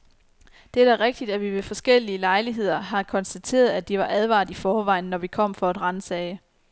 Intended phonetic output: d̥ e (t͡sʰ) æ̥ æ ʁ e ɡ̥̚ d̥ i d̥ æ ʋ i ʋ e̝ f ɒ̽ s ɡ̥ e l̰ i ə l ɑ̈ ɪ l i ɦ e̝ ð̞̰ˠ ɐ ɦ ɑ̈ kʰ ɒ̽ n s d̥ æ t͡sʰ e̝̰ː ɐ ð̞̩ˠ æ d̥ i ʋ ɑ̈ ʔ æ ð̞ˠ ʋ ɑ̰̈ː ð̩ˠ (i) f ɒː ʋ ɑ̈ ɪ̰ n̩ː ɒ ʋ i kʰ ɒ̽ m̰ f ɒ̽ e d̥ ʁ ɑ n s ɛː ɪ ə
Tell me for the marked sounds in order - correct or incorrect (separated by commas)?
incorrect, correct